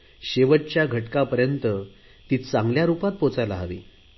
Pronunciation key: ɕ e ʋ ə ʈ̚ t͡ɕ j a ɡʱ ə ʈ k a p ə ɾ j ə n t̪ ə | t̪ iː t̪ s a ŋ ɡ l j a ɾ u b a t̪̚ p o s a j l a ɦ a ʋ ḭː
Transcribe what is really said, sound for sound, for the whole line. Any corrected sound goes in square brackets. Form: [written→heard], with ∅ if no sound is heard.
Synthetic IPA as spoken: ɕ e ʋ ə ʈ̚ t͡ɕ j a ɡʱ ə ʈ k a p ə ɾ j ə n t̪ ə | t̪ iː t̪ [s→t͡s] a ŋ ɡ l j a ɾ u [b→p] a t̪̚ p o [s→t͡s] a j l a ɦ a ʋ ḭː